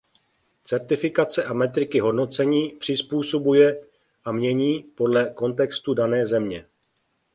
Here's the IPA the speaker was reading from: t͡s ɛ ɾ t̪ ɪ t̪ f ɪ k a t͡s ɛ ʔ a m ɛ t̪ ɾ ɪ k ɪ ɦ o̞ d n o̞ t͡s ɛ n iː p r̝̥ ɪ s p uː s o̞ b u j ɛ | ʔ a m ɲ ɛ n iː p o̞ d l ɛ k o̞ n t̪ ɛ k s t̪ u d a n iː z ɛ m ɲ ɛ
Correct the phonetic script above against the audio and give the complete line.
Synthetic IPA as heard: t͡s ɛ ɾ t̪ ɪ f ɪ k a t͡s ɛ ʔ a m ɛ t̪ ɾ ɪ k ɪ ɦ o̞ d n o̞ t͡s ɛ ɲ iː p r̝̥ ɪ s p uː s o̞ b u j ɛ | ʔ a m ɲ ɛ ɲ iː p o̞ d l ɛ k o̞ n t̪ ɛ k s t̪ u d a n ɛː z ɛ m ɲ ɛ